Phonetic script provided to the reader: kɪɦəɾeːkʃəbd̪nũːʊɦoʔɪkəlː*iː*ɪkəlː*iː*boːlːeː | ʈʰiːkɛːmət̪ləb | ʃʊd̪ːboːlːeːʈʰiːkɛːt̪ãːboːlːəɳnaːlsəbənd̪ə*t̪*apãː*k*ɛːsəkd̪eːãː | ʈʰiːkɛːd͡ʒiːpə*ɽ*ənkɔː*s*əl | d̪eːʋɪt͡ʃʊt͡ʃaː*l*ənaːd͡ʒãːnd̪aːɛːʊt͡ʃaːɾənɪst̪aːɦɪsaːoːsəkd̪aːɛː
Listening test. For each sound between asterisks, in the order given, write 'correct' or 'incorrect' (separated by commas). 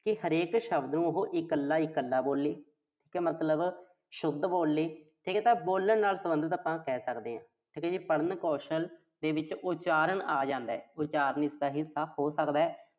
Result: incorrect, incorrect, correct, correct, correct, incorrect, incorrect